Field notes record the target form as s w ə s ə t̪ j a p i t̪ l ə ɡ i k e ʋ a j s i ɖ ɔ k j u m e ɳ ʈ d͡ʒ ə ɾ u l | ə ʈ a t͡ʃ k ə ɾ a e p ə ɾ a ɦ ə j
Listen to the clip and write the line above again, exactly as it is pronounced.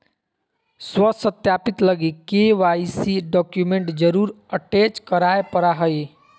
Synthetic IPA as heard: s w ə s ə t̪ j a p i t̪ l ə ɡ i k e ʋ a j s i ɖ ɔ k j u m e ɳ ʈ d͡ʒ ə ɾ u ɾ | ə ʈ e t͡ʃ k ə ɾ a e p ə ɾ a ɦ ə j